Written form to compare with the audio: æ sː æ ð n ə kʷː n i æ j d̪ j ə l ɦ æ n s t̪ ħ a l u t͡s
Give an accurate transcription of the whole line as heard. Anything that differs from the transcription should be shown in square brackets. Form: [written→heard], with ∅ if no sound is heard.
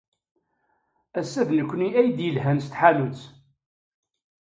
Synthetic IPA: æ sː æ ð n ə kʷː n i æ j d̪ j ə l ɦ æ n s t̪ ħ a l u t͡s